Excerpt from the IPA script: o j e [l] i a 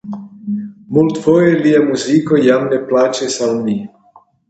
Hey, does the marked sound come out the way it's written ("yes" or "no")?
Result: yes